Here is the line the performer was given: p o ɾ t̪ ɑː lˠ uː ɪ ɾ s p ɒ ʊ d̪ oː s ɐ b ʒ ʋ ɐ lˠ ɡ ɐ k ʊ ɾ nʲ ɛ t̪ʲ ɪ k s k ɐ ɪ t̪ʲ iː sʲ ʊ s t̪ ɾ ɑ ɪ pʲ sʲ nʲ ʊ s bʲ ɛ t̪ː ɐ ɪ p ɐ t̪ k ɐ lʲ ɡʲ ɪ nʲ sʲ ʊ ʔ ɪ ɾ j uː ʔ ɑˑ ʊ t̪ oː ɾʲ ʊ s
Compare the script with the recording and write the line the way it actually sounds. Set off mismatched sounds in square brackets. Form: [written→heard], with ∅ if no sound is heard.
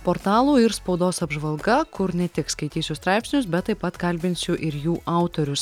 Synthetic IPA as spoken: p o ɾ t̪ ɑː lˠ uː ɪ ɾ s p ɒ ʊ d̪ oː s ɐ b ʒ ʋ ɐ lˠ ɡ ɐ k ʊ ɾ nʲ ɛ t̪ʲ ɪ k s k ɐ ɪ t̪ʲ iː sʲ ʊ s t̪ ɾ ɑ ɪ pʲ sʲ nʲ ʊ s bʲ ɛ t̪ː ɐ ɪ p ɐ t̪ k ɐ lʲ [ɡʲ→bʲ] ɪ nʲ sʲ ʊ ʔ ɪ ɾ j uː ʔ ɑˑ ʊ t̪ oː ɾʲ ʊ s

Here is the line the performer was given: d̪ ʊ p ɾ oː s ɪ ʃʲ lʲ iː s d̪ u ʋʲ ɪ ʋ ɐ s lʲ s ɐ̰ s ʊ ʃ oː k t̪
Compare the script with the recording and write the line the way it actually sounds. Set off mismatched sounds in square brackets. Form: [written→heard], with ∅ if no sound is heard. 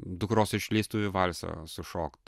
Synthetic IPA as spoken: d̪ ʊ [p→k] ɾ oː s ɪ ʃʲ lʲ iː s [d̪→t̪] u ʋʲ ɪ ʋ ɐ [s→∅] lʲ s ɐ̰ s ʊ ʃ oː k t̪

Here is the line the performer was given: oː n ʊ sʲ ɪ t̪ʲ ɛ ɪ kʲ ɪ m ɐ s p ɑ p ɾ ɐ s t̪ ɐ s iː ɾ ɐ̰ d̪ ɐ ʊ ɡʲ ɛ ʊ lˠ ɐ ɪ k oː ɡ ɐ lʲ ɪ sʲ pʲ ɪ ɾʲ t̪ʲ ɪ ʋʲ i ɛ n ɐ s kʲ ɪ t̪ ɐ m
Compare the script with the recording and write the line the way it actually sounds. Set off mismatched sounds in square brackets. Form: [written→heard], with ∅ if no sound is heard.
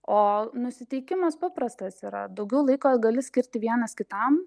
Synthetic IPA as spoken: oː n ʊ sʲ ɪ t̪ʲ ɛ ɪ kʲ ɪ m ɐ s p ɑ p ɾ ɐ s t̪ ɐ s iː ɾ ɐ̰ d̪ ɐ ʊ ɡʲ ɛ ʊ lˠ ɐ ɪ k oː ɡ ɐ lʲ ɪ sʲ [pʲ→kʲ] ɪ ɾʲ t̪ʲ ɪ ʋʲ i ɛ n ɐ s kʲ ɪ t̪ ɐ m

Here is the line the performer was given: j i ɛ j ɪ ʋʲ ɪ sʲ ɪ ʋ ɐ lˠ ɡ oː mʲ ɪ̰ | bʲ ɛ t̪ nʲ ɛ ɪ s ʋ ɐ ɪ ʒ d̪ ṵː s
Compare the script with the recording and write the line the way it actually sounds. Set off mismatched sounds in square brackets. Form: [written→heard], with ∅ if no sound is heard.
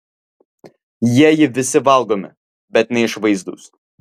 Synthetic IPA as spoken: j i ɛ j ɪ ʋʲ ɪ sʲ ɪ ʋ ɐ lˠ ɡ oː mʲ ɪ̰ | bʲ ɛ t̪ nʲ ɛ ɪ [s→ʃ] ʋ ɐ ɪ [ʒ→z] d̪ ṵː s

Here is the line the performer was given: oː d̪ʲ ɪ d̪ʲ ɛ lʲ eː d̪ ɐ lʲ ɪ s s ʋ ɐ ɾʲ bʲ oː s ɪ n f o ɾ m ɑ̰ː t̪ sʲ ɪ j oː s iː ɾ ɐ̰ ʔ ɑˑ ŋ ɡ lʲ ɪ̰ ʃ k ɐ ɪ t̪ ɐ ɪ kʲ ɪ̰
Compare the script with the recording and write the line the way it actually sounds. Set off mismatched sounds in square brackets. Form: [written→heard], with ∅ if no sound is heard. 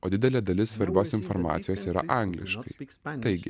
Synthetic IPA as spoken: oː d̪ʲ ɪ d̪ʲ ɛ lʲ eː d̪ ɐ lʲ ɪ s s ʋ ɐ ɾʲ bʲ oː s ɪ n f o ɾ m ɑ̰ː t̪ sʲ ɪ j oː s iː ɾ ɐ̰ ʔ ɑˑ ŋ ɡ lʲ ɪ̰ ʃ k ɐ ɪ t̪ ɐ ɪ [kʲ→ɡʲ] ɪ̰

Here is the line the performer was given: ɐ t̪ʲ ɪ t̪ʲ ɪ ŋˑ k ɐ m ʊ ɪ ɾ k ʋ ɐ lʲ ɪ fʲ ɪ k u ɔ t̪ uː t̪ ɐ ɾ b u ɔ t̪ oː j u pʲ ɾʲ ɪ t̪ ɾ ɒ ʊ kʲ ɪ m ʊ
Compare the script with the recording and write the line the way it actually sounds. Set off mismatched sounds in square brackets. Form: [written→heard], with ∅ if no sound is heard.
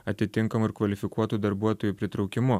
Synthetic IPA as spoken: ɐ t̪ʲ ɪ t̪ʲ ɪ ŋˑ k ɐ m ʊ ɪ ɾ k ʋ ɐ lʲ ɪ fʲ ɪ k u ɔ t̪ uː [t̪→d̪] ɐ ɾ b u ɔ t̪ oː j u pʲ ɾʲ ɪ t̪ ɾ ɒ ʊ kʲ ɪ m ʊ

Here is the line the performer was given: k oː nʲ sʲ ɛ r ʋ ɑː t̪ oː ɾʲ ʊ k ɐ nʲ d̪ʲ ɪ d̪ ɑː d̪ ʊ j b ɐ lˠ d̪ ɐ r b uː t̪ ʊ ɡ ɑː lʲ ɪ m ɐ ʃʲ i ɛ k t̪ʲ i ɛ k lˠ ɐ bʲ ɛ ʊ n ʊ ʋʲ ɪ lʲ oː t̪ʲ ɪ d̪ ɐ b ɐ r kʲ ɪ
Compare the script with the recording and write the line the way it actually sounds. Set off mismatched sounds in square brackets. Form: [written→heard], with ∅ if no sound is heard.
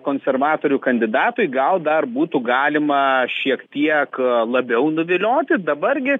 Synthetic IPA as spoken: k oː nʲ sʲ ɛ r ʋ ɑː t̪ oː ɾʲ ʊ k ɐ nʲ d̪ʲ ɪ d̪ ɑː [d̪→t̪] ʊ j [b→ɡ] ɐ lˠ d̪ ɐ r b uː t̪ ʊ ɡ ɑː lʲ ɪ m ɐ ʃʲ i ɛ k t̪ʲ i ɛ k lˠ ɐ bʲ ɛ ʊ n ʊ ʋʲ ɪ lʲ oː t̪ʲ ɪ d̪ ɐ b ɐ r [kʲ→ɡʲ] ɪ

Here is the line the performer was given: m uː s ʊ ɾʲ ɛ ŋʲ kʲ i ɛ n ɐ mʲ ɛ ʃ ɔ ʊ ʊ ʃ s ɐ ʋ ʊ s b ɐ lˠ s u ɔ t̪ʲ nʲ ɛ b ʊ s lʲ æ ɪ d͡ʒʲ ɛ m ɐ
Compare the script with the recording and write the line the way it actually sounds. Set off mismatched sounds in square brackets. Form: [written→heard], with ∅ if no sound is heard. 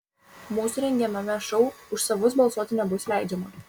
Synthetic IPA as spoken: m uː s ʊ ɾʲ ɛ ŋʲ [kʲ→ɡʲ] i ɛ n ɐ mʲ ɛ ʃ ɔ ʊ ʊ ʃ s ɐ ʋ ʊ s b ɐ lˠ s u ɔ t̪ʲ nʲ ɛ b ʊ s lʲ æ ɪ d͡ʒʲ ɛ m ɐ

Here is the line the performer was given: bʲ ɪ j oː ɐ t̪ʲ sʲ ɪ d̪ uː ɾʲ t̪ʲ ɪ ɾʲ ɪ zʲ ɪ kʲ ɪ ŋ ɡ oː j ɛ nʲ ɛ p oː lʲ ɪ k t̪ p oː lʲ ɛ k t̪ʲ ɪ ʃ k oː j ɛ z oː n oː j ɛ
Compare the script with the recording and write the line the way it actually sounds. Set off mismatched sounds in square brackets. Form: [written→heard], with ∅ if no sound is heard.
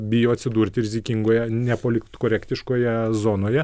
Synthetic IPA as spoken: bʲ ɪ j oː ɐ t̪ʲ sʲ ɪ d̪ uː ɾʲ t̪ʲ ɪ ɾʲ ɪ zʲ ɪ kʲ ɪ ŋ ɡ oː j ɛ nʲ ɛ p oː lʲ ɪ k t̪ [p→k] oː [lʲ→ɾʲ] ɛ k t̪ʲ ɪ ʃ k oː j ɛ z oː n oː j ɛ

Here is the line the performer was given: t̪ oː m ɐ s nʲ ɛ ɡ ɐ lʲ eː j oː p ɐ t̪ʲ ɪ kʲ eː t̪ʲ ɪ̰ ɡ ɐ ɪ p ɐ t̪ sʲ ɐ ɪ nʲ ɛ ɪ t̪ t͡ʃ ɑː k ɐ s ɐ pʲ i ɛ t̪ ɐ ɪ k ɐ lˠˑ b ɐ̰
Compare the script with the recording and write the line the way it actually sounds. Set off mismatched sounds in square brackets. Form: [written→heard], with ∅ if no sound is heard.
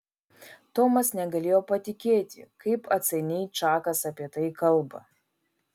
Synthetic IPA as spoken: t̪ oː m ɐ s nʲ ɛ ɡ ɐ lʲ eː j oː p ɐ t̪ʲ ɪ kʲ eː t̪ʲ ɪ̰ [ɡ→k] ɐ ɪ p ɐ t̪ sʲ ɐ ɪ nʲ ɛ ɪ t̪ t͡ʃ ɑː k ɐ s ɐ pʲ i ɛ t̪ ɐ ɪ k ɐ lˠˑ b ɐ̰

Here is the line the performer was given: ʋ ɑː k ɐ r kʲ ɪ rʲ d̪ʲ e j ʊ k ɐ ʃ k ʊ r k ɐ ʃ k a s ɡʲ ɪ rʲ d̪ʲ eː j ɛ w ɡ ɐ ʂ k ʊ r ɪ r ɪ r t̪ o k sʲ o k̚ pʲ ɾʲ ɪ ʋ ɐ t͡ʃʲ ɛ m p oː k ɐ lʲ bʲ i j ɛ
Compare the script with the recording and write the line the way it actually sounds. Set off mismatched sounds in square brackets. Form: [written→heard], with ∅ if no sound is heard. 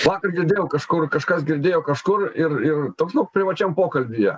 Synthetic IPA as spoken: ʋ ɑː k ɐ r [kʲ→ɡʲ] ɪ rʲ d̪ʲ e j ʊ k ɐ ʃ k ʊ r k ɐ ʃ k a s ɡʲ ɪ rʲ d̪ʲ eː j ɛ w [ɡ→k] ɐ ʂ k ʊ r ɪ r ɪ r t̪ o k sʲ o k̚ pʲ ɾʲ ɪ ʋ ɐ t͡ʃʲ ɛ m p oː k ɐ lʲ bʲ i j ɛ

